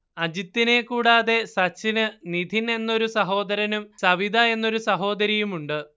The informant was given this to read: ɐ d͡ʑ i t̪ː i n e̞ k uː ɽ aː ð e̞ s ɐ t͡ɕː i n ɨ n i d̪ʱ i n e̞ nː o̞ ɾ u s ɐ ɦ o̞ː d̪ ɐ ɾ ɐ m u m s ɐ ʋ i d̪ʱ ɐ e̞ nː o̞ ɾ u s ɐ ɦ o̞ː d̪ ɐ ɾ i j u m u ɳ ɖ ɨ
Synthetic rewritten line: ɐ d͡ʑ i t̪ː i n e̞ k uː ɽ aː ð e̞ s ɐ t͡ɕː i n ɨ n i d̪ʱ i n e̞ nː o̞ ɾ u s ɐ ɦ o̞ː d̪ ɐ ɾ ɐ n u m s ɐ ʋ i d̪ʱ ɐ e̞ nː o̞ ɾ u s ɐ ɦ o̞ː d̪ ɐ ɾ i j u m u ɳ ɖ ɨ